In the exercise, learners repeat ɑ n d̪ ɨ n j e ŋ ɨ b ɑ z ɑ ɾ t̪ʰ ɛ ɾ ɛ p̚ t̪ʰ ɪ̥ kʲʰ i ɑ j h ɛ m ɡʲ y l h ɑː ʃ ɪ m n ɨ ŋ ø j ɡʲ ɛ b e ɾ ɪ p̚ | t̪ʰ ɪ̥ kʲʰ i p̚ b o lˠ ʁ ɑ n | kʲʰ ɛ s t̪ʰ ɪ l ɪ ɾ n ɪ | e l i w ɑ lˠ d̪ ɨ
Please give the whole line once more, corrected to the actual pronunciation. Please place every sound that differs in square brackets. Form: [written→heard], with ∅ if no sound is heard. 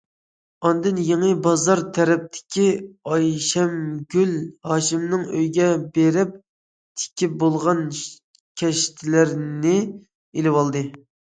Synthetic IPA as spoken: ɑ n d̪ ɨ n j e ŋ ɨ b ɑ z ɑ ɾ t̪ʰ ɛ ɾ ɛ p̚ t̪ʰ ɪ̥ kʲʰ i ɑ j [h→ʃ] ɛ m ɡʲ y l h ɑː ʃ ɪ m n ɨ ŋ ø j ɡʲ ɛ b e ɾ ɪ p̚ | t̪ʰ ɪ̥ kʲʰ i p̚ b o lˠ ʁ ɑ n | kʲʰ ɛ [s→ʃ] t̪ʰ ɪ l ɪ ɾ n ɪ | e l [i→ɪ] w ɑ lˠ d̪ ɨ